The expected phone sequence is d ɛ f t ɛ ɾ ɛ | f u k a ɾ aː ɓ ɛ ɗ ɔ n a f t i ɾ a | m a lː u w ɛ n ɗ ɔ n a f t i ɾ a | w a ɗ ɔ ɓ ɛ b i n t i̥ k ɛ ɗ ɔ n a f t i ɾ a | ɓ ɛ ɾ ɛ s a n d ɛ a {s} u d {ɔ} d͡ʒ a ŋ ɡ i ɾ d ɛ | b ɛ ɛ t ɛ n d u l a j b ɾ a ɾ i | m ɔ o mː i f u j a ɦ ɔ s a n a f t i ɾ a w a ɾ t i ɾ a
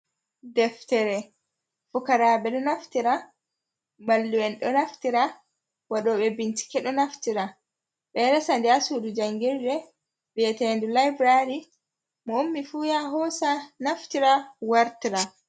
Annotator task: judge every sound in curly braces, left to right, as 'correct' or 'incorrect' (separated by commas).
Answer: correct, incorrect